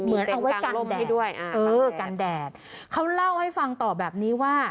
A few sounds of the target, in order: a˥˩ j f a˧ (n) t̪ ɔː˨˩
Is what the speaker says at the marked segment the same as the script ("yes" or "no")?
no